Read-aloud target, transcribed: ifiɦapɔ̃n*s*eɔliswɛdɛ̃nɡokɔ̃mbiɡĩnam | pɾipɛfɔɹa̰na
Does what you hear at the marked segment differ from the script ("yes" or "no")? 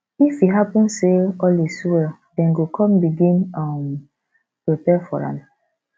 no